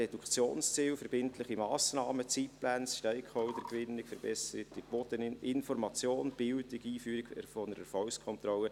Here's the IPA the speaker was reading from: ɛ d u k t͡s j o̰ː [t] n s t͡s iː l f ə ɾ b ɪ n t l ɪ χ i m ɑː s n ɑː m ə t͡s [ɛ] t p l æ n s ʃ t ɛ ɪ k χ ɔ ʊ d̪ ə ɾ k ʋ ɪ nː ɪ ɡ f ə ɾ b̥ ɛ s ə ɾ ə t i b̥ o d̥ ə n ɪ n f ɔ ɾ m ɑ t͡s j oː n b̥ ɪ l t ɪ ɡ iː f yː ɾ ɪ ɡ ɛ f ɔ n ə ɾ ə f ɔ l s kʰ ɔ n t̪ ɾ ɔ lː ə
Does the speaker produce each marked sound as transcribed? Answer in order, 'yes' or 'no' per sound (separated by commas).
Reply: no, no